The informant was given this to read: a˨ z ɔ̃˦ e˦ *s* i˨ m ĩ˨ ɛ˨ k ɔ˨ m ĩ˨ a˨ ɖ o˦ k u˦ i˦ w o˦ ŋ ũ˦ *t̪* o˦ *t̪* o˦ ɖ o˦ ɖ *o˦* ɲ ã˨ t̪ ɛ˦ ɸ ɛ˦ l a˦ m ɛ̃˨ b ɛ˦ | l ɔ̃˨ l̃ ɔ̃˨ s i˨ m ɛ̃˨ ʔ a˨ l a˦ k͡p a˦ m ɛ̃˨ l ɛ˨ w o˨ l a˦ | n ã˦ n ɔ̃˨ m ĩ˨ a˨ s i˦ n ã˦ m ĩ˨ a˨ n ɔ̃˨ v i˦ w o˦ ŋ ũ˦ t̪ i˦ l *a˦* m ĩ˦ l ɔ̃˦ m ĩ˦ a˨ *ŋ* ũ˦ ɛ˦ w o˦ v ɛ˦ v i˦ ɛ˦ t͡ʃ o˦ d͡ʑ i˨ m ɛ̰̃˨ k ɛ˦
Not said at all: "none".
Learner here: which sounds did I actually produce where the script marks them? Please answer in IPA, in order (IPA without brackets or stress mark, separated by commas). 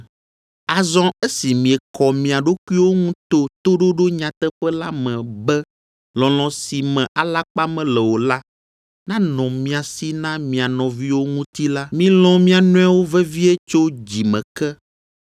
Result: s, t̪, t̪, o˦, a˦, n